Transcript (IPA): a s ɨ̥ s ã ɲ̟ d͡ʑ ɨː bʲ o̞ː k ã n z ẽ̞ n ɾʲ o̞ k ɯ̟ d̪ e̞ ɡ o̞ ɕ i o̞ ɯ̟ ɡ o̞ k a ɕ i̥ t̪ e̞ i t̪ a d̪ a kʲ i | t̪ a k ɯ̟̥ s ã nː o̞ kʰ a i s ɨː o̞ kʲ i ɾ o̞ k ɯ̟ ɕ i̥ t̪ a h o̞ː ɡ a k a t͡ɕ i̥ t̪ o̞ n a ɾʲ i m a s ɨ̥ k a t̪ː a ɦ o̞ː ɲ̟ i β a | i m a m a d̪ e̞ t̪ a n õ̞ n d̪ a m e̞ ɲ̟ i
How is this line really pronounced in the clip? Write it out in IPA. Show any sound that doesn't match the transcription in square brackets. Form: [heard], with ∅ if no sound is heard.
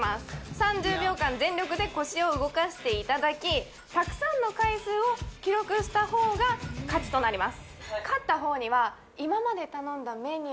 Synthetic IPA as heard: a s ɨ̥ s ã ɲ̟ d͡ʑ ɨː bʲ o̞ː k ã n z ẽ̞ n ɾʲ o̞ k ɯ̟ d̪ e̞ [k] o̞ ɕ i o̞ ɯ̟ ɡ o̞ k a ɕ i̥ t̪ e̞ i t̪ a d̪ a kʲ i | t̪ a k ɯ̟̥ s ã nː o̞ [k] a i s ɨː o̞ kʲ i ɾ o̞ k ɯ̟ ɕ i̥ t̪ a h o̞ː ɡ a k a t͡ɕ i̥ t̪ o̞ n a ɾʲ i m a s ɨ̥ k a t̪ː a ɦ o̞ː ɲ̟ i β a | i m a m a d̪ e̞ t̪ a n õ̞ n d̪ a m e̞ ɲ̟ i